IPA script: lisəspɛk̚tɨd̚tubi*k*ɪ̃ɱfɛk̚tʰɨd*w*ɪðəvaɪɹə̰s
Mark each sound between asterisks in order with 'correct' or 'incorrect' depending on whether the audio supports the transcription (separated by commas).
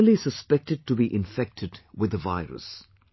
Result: incorrect, correct